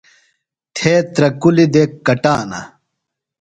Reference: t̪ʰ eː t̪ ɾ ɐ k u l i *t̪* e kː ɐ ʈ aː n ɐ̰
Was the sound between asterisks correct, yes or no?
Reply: no